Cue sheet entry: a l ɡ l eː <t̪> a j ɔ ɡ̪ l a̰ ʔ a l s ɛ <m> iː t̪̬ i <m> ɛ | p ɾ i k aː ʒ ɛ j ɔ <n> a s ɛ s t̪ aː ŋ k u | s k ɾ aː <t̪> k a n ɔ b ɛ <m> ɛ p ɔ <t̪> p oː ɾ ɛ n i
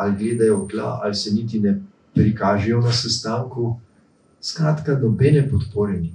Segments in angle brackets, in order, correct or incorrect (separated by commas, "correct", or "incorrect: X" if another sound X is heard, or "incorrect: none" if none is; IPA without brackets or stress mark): incorrect: d̪, incorrect: n, incorrect: n, correct, correct, incorrect: n, correct